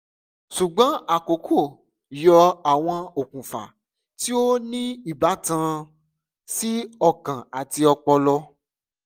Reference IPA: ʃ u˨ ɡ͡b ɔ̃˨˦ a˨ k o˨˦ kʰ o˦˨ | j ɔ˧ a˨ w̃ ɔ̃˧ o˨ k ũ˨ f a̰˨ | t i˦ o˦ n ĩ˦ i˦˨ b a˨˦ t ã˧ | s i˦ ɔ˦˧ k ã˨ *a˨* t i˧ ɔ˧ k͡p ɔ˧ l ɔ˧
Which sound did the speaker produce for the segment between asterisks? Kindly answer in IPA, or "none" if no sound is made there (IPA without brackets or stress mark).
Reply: a˨